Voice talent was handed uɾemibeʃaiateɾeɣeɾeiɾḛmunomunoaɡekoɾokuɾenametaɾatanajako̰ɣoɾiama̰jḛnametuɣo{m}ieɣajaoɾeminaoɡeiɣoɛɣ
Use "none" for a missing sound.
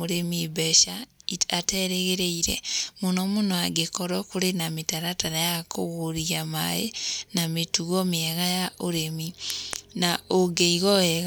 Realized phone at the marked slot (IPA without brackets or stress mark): m